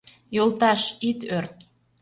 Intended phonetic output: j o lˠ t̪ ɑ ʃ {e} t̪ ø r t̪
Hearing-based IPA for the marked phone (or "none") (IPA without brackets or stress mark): i